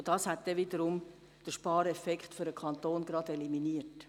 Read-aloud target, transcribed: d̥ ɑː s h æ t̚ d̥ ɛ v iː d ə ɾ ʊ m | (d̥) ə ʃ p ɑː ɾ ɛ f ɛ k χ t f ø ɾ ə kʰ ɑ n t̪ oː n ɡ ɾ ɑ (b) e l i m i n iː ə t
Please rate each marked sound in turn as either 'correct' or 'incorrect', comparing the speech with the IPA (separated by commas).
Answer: correct, incorrect